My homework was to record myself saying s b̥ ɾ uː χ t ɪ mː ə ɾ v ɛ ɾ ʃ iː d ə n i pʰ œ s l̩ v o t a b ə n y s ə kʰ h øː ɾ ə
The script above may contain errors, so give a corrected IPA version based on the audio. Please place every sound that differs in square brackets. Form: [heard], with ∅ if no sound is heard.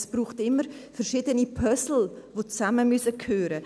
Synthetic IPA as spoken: s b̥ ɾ uː χ t ɪ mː ə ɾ [f] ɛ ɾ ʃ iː d ə n i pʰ œ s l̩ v o [t͡s] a [m] ə [m] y s ə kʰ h øː ɾ ə